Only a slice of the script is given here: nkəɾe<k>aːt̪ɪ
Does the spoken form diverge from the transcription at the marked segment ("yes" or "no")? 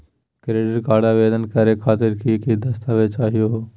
yes